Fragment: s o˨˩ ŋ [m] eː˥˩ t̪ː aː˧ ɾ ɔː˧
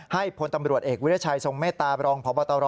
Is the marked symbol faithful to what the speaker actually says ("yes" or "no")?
yes